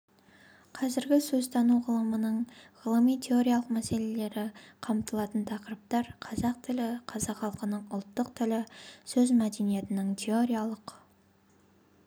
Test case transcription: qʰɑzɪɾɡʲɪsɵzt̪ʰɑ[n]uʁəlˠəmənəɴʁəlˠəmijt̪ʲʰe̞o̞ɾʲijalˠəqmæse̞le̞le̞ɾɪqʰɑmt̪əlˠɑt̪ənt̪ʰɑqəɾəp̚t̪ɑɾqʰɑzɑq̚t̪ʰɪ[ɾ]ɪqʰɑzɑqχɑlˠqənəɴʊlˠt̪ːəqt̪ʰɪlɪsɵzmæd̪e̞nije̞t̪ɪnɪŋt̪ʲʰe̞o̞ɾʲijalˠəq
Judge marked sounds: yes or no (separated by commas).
yes, no